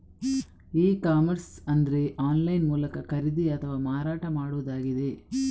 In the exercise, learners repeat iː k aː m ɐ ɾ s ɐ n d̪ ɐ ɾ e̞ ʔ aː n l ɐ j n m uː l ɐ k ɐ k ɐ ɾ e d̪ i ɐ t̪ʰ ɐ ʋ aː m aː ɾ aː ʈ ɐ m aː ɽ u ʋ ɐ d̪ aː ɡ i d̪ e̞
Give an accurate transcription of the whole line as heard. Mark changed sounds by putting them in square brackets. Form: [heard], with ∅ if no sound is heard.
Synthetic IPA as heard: iː k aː m ɐ ɾ s ɐ n d̪ ɐ ɾ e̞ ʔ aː n l ɐ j n m uː l ɐ k ɐ k ɐ ɾ [i] d̪ i ɐ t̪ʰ ɐ ʋ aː m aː ɾ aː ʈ ɐ m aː ɽ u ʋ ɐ d̪ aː ɡ i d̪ e̞

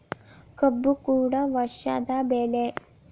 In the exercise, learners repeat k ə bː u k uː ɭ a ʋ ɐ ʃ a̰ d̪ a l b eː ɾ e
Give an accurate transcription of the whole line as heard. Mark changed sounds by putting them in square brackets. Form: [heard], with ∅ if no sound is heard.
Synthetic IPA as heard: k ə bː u k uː [ɽ] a ʋ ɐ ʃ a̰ d̪ a [∅] b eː [l] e

